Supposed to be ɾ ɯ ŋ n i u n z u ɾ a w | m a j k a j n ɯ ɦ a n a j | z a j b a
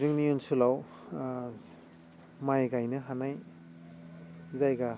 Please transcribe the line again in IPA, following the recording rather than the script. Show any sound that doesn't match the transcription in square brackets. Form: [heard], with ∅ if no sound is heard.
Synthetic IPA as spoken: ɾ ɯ ŋ n i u n [s] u [l] a w | m a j [ɡ] a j n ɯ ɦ a n a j | z a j [ɡ] a